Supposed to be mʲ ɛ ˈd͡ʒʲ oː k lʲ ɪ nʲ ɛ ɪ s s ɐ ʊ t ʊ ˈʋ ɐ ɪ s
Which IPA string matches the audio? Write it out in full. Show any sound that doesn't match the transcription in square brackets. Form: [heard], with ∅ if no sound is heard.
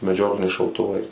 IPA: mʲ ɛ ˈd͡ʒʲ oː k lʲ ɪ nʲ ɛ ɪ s [ʃ] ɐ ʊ t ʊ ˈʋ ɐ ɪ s